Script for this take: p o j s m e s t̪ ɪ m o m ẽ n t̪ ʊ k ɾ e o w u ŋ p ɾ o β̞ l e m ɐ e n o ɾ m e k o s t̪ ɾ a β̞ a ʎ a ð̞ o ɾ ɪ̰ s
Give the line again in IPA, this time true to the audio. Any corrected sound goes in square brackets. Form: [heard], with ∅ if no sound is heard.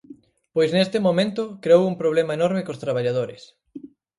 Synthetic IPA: p o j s [n] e s t̪ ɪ m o m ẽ n t̪ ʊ k ɾ e o w u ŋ p ɾ o β̞ l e m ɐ e n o ɾ m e k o s t̪ ɾ a β̞ a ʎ a ð̞ o ɾ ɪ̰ s